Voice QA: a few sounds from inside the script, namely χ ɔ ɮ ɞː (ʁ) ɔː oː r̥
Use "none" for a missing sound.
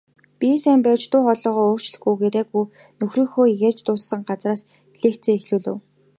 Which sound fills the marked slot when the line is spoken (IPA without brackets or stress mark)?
ʁ